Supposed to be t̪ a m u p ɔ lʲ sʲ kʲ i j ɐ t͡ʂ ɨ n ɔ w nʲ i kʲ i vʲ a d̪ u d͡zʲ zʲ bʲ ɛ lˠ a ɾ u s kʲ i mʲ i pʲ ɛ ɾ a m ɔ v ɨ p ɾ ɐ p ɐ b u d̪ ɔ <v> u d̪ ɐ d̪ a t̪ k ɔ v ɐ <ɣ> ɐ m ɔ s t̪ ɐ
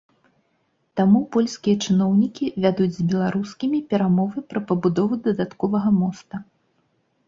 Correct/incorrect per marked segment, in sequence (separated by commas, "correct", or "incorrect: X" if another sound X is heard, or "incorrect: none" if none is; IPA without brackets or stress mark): correct, correct